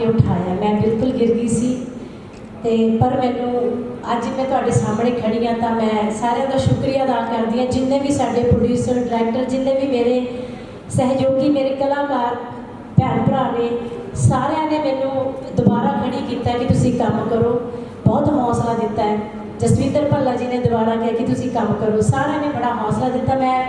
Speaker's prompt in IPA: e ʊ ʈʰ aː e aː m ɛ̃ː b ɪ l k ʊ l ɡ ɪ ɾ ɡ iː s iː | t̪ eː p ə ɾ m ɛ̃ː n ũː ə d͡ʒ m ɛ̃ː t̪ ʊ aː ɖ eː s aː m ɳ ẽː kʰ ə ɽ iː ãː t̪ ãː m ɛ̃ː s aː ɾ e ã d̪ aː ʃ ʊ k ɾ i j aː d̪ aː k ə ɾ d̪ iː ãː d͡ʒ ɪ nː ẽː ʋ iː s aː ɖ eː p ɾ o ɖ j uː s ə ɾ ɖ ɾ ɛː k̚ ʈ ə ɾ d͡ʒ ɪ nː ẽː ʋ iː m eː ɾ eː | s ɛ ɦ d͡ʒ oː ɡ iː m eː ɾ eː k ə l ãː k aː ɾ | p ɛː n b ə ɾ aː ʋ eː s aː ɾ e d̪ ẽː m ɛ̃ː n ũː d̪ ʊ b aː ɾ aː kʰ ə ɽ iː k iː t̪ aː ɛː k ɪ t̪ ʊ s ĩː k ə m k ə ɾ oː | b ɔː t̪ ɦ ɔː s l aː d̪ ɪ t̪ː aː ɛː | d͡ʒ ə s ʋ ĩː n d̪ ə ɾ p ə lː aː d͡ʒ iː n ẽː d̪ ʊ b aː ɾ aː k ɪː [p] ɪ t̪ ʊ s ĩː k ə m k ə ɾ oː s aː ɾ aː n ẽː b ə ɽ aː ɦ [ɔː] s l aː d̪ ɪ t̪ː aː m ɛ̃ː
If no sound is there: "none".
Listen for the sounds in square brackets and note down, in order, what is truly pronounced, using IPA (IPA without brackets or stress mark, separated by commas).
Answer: k, ɔː